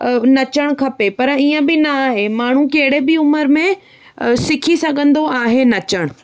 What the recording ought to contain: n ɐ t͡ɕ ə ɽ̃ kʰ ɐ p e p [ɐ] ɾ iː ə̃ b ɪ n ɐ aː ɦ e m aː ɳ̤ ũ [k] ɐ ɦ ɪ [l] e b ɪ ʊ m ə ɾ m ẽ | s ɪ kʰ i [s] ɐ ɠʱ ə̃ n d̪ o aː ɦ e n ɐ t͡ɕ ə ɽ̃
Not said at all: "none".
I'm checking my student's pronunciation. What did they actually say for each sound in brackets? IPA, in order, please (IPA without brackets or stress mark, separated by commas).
ɐ, k, ɽ, s